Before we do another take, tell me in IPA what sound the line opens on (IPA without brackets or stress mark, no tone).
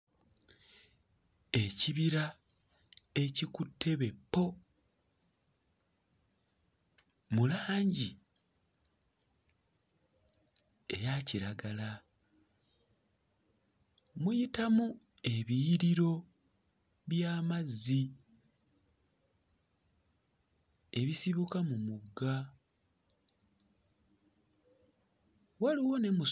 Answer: e̞